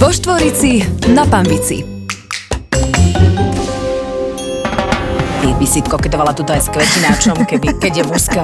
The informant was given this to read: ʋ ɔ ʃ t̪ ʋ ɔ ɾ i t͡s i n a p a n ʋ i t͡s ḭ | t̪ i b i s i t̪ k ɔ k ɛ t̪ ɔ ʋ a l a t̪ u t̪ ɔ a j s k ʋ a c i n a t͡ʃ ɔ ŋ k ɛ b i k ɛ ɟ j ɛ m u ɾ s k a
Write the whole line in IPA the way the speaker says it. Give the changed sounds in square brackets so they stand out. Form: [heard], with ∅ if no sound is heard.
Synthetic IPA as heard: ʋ ɔ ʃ t̪ ʋ ɔ ɾ i t͡s i n a p a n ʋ i t͡s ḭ | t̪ i b i s i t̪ k ɔ k ɛ t̪ ɔ ʋ a l a t̪ u t̪ ɔ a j s k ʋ [ɛ] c i n a t͡ʃ ɔ [m] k ɛ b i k ɛ ɟ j ɛ m u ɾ s k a